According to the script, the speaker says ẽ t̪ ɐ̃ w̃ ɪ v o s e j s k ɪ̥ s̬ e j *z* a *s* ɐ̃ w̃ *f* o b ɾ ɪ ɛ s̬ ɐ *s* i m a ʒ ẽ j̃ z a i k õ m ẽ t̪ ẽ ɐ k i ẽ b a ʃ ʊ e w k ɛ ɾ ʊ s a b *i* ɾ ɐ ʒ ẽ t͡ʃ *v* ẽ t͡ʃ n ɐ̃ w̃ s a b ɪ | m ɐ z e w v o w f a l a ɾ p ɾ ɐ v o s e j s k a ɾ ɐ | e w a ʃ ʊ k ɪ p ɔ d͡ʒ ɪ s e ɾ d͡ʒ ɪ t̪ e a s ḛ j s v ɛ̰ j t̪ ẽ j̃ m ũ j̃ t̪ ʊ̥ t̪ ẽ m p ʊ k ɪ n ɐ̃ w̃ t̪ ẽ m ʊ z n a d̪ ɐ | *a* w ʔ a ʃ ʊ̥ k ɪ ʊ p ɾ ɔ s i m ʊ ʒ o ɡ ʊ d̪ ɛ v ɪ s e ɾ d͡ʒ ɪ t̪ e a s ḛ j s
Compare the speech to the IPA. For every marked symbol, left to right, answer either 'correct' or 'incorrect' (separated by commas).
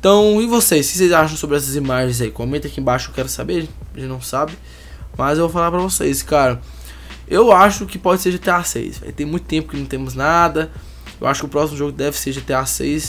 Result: correct, incorrect, incorrect, incorrect, incorrect, incorrect, incorrect